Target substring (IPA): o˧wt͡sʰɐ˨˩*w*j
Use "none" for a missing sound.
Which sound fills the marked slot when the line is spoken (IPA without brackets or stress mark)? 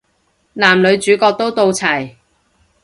none